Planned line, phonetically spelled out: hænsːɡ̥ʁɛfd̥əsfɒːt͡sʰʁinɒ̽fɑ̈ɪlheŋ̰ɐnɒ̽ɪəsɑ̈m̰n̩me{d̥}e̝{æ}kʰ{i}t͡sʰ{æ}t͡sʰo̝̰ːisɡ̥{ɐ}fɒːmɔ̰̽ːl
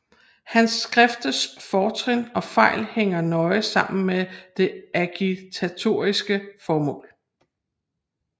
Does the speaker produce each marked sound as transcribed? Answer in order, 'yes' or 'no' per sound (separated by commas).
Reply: yes, yes, yes, yes, no